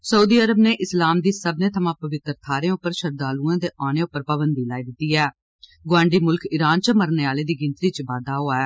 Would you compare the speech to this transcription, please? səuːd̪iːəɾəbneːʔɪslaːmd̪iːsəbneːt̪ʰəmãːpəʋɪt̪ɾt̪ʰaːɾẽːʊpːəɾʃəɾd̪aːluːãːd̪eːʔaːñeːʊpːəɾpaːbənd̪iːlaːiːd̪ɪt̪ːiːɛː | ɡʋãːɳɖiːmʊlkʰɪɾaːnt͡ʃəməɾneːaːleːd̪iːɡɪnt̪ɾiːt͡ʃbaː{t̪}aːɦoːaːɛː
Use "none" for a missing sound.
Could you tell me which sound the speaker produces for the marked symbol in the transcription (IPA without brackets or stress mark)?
d̪